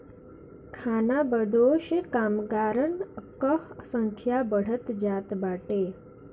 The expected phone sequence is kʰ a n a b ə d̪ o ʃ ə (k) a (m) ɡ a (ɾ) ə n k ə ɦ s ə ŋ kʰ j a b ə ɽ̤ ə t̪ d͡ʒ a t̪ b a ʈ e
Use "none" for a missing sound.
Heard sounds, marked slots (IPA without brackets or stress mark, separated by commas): k, m, ɾ